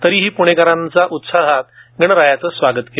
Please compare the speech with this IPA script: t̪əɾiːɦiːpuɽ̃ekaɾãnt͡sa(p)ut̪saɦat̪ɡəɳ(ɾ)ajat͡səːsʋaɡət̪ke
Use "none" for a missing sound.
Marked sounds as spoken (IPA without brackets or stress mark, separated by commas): ʔ, ɾ